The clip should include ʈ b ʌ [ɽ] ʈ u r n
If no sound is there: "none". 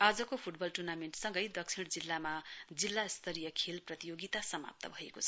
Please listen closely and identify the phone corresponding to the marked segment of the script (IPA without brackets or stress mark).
l